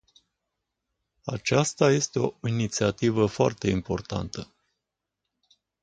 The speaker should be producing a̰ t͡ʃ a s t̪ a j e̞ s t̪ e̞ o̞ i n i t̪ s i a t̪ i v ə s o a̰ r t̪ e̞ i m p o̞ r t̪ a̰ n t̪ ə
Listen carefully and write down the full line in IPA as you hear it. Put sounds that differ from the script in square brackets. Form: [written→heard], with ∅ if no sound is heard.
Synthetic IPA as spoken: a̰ t͡ʃ a s t̪ a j e̞ s t̪ e̞ o̞ i n i t̪ s i a t̪ i v ə [s→f] o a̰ r t̪ e̞ i m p o̞ r t̪ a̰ n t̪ ə